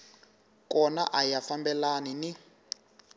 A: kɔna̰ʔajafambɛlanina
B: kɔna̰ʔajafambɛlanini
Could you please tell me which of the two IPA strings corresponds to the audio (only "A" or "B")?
B